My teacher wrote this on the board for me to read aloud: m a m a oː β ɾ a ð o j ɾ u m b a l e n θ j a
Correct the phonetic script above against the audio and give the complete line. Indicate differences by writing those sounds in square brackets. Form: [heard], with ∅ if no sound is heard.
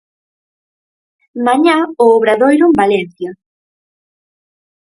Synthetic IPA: m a [ɲ] a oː β ɾ a ð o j ɾ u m b a l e n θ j a

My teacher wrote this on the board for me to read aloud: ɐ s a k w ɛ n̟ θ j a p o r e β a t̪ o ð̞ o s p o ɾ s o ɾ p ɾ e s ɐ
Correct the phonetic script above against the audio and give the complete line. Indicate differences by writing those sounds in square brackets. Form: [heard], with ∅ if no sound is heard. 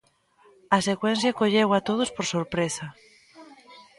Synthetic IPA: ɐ s [e] k w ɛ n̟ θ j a [k] o [ʎ] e [w] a t̪ o ð̞ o s p o ɾ s o ɾ p ɾ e s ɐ

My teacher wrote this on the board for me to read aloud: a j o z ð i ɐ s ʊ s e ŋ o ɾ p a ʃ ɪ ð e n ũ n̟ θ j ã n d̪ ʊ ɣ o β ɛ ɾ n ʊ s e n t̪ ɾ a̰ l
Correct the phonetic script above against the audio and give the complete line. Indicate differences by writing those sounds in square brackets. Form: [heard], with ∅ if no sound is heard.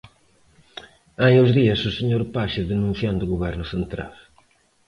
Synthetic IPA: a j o z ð i ɐ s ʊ s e [ɲ] o ɾ p a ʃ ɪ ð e n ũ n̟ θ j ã n d̪ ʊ ɣ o β ɛ ɾ n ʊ s e n t̪ ɾ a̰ l

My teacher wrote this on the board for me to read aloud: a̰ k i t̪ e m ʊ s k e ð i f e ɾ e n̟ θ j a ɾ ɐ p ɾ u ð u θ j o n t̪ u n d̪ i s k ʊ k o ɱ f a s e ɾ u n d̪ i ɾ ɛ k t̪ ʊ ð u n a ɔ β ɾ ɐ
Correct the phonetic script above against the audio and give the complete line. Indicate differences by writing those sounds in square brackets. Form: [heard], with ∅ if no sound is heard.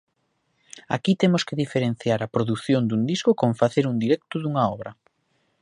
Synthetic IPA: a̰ k i t̪ e m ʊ s k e ð i f e ɾ e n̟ θ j a ɾ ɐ p ɾ [o] ð u θ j o n [d̪] u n d̪ i s k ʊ k o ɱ f a [θ] e ɾ u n d̪ i ɾ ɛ k t̪ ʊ ð u [ŋ] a ɔ β ɾ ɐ

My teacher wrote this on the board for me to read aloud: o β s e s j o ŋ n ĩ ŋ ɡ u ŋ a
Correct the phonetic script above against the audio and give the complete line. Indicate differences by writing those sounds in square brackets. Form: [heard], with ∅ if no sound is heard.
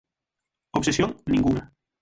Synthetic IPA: o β s e s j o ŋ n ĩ ŋ ɡ u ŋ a

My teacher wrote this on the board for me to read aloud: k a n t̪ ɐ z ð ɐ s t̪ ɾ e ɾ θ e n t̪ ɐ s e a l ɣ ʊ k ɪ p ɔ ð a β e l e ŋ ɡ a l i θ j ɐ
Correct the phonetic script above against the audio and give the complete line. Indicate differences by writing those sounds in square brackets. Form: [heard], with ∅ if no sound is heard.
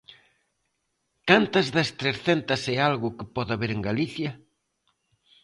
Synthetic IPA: k a n t̪ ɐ z ð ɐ s t̪ ɾ e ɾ θ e n t̪ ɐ s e a l ɣ ʊ k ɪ p ɔ ð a β e [ɾ] e ŋ ɡ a l i θ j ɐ

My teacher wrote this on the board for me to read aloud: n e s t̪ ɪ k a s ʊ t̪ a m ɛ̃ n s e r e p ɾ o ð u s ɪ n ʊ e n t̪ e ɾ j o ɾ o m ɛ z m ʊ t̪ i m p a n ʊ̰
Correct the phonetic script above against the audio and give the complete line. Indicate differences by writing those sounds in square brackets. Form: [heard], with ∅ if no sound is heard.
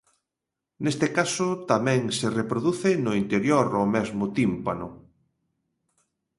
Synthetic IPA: n e s t̪ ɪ k a s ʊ t̪ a m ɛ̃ [ŋ] s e r e p ɾ o ð u [θ] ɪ n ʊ [i] n t̪ e ɾ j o ɾ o m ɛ z m ʊ t̪ i m p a n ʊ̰

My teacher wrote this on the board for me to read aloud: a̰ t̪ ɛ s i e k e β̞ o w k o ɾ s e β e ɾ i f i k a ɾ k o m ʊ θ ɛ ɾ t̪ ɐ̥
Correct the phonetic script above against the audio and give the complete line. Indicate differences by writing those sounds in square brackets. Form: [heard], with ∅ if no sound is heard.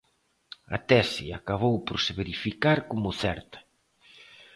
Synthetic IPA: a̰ t̪ ɛ s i [a] k [a] β̞ o w [p] o ɾ s e β e ɾ i f i k a ɾ k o m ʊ θ ɛ ɾ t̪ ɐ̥

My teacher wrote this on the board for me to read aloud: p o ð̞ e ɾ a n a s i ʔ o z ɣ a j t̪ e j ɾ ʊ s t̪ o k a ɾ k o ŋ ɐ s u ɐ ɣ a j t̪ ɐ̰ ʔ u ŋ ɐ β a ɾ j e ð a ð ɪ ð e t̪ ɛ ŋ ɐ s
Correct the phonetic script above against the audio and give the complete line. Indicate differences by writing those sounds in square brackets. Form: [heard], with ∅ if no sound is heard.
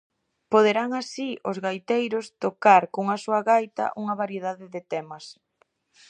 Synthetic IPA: p o ð̞ e ɾ a [ŋ] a s i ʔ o z ɣ a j t̪ e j ɾ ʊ s t̪ o k a ɾ k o ŋ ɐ s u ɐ ɣ a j t̪ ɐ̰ ʔ u ŋ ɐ β a ɾ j e ð a ð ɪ ð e t̪ ɛ [m] ɐ s

